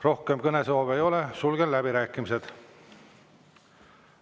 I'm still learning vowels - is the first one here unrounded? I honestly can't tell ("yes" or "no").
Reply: no